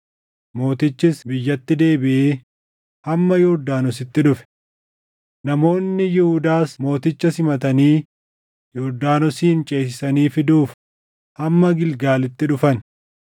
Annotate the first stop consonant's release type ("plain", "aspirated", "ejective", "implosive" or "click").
plain